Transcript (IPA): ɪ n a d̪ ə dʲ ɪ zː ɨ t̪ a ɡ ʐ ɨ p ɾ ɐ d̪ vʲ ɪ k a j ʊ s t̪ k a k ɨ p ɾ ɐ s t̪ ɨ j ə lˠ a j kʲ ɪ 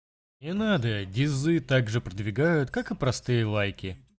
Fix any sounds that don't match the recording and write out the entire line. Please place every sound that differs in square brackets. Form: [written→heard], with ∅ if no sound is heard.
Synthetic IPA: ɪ n a d̪ ə dʲ ɪ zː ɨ t̪ a ɡ ʐ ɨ p ɾ [ɐ→ə] d̪ vʲ ɪ [k→ɡ] a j ʊ [s→∅] t̪ k a k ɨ p ɾ ɐ s t̪ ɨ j ə lˠ a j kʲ ɪ